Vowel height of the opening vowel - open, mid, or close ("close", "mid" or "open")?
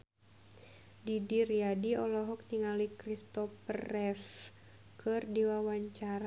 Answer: close